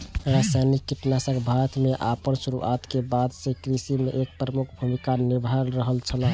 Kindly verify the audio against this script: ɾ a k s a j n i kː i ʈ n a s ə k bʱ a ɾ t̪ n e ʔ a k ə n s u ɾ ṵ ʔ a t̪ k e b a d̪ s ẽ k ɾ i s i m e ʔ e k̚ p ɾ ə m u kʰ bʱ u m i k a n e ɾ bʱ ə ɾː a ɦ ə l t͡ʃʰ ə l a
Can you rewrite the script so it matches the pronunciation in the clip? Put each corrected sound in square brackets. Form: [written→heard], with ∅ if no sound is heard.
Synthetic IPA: ɾ a [k→∅] s a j n i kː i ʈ n a s ə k bʱ a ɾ t̪ [n→m] e ʔ a [k→p] ə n s u ɾ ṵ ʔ a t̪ k e b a d̪ s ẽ k ɾ i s i m e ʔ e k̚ p ɾ ə m u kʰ bʱ u m i k a n [e→i] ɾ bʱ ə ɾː [a→ə] ɦ ə l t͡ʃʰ ə l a